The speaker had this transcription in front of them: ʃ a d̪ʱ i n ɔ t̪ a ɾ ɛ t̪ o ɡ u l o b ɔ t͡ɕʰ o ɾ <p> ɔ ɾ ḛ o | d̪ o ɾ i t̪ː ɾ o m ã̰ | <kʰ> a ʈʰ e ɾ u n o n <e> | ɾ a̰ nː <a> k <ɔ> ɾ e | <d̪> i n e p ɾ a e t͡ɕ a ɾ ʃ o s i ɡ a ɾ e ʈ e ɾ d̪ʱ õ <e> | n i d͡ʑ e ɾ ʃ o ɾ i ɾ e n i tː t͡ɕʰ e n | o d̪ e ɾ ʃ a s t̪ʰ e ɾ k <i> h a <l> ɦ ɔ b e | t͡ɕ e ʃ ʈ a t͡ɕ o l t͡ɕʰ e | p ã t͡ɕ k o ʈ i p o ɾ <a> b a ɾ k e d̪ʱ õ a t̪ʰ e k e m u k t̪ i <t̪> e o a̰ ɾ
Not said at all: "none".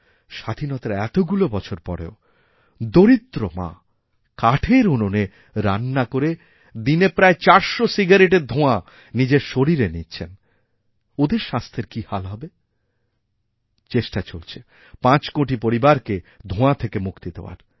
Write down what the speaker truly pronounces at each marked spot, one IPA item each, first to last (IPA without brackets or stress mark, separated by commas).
p, k, e, a, o, d̪, a, i, l, i, d̪